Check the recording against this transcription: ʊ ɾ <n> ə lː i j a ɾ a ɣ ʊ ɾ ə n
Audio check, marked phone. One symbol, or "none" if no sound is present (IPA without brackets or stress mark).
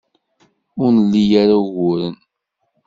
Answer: n